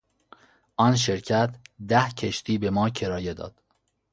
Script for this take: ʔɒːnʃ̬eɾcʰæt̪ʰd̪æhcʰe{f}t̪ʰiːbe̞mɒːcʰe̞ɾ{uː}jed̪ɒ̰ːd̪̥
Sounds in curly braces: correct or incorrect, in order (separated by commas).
incorrect, incorrect